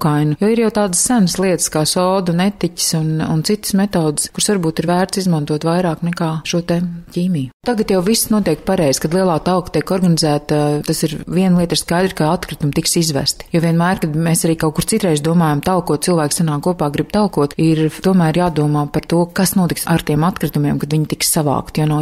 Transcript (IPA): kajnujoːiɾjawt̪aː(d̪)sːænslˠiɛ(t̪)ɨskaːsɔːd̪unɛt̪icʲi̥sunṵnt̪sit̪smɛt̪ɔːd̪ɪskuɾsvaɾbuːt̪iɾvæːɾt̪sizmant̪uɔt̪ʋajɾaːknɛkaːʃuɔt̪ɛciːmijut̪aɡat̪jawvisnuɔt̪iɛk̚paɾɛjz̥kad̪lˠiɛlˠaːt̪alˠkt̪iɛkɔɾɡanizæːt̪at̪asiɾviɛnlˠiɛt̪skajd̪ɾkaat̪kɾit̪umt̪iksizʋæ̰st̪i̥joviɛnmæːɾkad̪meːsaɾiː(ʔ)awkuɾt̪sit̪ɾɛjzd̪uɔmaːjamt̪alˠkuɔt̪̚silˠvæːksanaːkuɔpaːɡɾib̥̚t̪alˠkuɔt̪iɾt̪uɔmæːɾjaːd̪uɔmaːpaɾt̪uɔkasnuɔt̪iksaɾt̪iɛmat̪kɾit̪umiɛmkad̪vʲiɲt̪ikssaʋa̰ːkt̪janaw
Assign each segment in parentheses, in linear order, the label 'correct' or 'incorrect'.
correct, correct, incorrect: k

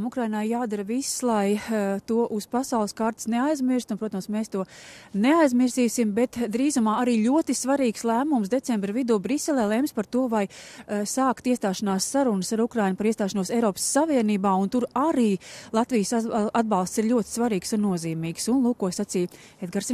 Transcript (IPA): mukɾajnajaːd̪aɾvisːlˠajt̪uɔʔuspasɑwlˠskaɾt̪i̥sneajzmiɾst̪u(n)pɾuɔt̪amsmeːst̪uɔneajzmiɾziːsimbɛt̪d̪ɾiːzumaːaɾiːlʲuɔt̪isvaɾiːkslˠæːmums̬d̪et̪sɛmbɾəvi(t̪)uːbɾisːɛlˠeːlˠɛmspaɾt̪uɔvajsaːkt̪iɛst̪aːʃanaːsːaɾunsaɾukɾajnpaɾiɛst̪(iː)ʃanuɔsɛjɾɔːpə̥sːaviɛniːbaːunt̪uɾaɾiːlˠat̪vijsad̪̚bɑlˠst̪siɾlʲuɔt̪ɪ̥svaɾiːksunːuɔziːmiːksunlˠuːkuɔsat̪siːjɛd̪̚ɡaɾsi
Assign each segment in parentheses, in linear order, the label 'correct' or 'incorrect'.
correct, incorrect: d̪, incorrect: aː

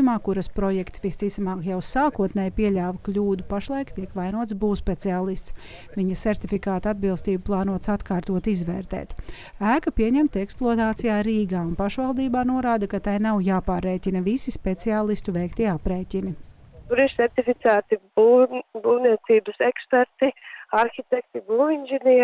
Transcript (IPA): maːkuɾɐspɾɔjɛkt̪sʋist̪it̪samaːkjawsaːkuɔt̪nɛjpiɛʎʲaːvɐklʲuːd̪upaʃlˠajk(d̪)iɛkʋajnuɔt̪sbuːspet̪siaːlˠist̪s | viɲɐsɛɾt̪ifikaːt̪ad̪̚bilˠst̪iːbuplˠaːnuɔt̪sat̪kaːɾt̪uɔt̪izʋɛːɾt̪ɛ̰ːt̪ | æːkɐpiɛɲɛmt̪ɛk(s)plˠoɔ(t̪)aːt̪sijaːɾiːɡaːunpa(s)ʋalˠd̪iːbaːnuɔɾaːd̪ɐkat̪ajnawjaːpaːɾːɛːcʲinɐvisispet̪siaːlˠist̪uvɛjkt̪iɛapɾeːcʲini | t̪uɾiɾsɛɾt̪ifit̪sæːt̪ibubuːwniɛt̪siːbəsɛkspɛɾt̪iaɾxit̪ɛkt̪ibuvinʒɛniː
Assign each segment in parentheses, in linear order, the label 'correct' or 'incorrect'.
incorrect: t̪, correct, correct, incorrect: ʃ

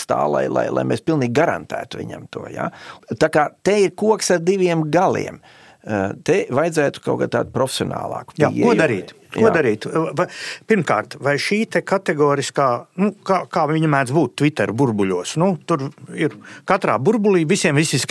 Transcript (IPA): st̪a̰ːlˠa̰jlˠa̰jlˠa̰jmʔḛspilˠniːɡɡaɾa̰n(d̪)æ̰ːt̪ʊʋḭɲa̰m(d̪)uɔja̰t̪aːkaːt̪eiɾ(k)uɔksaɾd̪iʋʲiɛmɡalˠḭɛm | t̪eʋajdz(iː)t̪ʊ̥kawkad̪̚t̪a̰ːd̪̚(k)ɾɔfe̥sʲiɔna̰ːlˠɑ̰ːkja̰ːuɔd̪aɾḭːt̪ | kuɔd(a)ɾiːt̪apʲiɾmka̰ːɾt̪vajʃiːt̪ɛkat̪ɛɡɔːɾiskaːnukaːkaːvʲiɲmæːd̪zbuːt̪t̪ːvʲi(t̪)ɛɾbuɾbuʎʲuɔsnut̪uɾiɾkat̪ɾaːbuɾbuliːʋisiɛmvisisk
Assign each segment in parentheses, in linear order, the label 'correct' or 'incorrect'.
incorrect: t̪, incorrect: t̪, correct, incorrect: æː, incorrect: p, correct, correct

